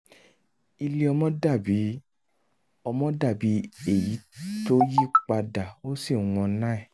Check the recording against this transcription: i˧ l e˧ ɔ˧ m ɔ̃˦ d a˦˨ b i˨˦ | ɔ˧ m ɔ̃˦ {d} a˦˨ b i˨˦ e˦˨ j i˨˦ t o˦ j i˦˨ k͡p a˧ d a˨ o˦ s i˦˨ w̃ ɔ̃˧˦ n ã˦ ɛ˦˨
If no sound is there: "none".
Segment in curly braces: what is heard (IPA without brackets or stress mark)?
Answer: d